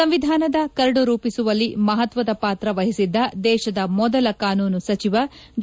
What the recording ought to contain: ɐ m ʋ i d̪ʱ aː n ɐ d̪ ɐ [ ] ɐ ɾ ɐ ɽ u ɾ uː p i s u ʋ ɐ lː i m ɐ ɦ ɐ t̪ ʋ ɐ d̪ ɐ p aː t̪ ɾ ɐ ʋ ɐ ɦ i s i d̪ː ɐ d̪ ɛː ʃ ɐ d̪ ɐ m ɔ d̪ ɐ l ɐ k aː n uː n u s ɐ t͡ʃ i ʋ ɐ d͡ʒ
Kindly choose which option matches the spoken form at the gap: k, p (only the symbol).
k